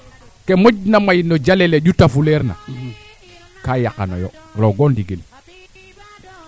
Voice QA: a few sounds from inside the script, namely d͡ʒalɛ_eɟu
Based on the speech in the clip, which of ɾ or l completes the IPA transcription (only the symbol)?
l